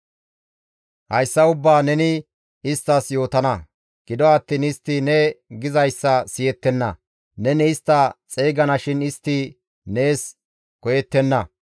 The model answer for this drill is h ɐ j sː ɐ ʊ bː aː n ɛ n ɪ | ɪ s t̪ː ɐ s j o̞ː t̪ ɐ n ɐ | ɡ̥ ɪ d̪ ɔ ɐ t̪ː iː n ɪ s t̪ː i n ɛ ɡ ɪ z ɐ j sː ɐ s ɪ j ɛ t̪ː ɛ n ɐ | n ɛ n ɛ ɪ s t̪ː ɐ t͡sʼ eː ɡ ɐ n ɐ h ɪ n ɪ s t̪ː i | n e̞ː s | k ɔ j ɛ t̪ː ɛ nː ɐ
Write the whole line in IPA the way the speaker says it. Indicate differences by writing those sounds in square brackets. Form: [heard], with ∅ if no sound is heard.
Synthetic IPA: h ɐ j sː ɐ ʊ bː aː n ɛ n ɪ | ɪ s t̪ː ɐ s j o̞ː t̪ ɐ n ɐ | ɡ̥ ɪ d̪ ɔ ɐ t̪ː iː n ɪ s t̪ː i n ɛ ɡ ɪ z ɐ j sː ɐ s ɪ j ɛ t̪ː ɛ [nː] ɐ | n ɛ n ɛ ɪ s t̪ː ɐ t͡sʼ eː ɡ ɐ n ɐ [ʃ] ɪ n ɪ s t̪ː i | n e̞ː s | k ɔ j ɛ t̪ː ɛ nː ɐ